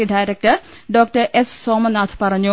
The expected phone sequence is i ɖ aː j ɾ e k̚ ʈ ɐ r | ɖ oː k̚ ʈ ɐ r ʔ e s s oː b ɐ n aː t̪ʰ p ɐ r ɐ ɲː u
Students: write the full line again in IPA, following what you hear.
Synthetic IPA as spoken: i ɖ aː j ɾ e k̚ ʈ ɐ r | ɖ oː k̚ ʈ ɐ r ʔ e s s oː m ɐ n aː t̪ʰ p ɐ r ɐ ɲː u